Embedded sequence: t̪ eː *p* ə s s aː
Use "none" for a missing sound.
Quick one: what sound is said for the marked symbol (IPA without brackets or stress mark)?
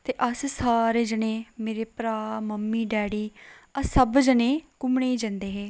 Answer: ʔ